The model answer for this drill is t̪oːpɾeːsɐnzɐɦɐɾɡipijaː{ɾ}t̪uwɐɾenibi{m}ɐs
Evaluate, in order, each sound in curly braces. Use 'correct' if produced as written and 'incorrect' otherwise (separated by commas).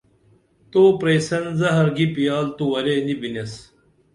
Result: incorrect, incorrect